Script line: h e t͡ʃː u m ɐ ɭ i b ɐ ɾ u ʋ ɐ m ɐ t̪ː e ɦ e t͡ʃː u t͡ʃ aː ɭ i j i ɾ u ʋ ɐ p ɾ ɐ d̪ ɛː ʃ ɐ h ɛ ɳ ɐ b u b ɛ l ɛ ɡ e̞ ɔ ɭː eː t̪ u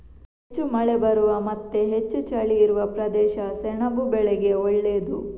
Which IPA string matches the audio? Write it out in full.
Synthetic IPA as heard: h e t͡ʃː u m ɐ ɭ e b ɐ ɾ u ʋ ɐ m ɐ t̪ː e ɦ e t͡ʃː u t͡ʃ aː ɭ i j i ɾ u ʋ ɐ p ɾ ɐ d̪ ɛː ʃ ɐ s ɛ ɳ ɐ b u b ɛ ɭ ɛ ɡ e̞ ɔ ɭː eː d̪ u